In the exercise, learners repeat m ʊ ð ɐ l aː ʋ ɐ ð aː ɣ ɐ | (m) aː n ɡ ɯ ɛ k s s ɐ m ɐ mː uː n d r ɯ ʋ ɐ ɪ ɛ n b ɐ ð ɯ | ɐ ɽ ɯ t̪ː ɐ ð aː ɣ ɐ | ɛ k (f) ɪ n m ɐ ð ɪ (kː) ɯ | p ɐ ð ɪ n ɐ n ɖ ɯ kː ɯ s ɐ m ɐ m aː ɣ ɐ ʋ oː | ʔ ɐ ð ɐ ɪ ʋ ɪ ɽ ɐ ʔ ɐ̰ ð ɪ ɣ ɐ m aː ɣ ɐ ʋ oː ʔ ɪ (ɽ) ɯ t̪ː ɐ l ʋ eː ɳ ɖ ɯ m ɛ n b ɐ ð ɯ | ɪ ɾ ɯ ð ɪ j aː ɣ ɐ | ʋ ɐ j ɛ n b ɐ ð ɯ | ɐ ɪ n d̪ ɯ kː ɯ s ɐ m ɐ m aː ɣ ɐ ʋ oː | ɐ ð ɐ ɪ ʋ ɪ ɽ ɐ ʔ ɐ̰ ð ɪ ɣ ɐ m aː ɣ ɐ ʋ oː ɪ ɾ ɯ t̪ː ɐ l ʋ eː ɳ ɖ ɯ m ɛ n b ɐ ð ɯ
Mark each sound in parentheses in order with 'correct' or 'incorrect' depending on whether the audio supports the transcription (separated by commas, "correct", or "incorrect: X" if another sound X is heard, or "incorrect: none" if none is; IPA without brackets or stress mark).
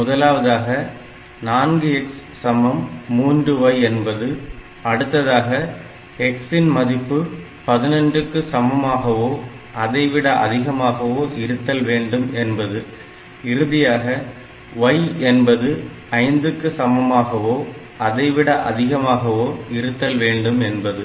incorrect: n, incorrect: s, incorrect: pː, incorrect: ɾ